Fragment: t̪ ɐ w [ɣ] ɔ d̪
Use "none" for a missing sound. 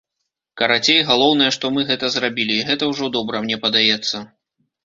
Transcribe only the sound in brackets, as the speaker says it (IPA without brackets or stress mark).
ʐ